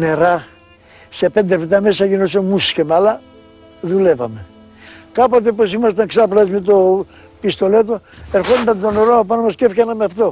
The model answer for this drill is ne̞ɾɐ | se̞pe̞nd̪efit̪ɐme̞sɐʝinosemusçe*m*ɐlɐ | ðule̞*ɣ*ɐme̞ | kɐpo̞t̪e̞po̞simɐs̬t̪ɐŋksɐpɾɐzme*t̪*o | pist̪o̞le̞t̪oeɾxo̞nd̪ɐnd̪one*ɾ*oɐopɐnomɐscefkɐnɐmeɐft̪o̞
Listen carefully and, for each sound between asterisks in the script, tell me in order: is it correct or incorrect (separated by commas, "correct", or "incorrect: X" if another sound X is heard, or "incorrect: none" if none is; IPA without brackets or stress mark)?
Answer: correct, incorrect: v, correct, correct